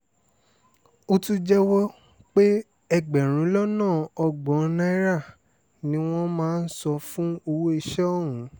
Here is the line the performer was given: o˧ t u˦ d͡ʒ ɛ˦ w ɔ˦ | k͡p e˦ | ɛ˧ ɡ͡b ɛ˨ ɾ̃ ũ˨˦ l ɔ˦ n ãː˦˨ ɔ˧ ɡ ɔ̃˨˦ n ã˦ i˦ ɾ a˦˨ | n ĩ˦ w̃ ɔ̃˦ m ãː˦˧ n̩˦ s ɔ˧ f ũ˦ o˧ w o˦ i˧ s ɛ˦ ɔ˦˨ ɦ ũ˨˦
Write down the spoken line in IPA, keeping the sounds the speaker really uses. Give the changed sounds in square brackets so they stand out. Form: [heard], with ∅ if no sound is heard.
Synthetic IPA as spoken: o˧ t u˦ d͡ʒ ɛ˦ w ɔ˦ | k͡p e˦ | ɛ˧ ɡ͡b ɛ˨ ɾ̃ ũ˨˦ l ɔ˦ n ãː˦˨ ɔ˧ [ɡ͡b] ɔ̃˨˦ n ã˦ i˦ ɾ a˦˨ | n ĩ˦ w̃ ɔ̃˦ m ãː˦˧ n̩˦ s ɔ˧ f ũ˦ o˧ w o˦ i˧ [ʃ] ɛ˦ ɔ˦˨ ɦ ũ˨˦

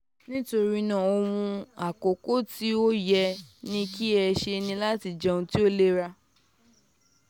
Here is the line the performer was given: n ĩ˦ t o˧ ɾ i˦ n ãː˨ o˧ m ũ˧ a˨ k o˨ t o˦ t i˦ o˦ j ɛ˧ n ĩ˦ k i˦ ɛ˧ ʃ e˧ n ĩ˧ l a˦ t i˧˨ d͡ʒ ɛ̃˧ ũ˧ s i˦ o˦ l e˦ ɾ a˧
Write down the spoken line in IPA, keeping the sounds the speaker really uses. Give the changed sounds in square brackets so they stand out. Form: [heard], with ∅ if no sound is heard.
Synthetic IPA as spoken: n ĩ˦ t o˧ ɾ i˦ n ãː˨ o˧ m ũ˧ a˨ k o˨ [k] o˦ t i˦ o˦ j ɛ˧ n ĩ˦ k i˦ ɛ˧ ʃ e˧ n ĩ˧ l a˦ t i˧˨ d͡ʒ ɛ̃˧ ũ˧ [t] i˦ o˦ l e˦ ɾ a˧

